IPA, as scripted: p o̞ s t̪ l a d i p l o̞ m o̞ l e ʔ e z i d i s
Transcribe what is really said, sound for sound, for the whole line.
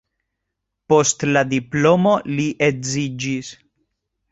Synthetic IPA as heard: p o̞ s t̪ l a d i p l o̞ m o̞ l i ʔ e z i d͡ʒ i s